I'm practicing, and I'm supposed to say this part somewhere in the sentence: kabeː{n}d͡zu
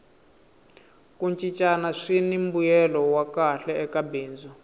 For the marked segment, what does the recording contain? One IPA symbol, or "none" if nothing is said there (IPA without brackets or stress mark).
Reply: n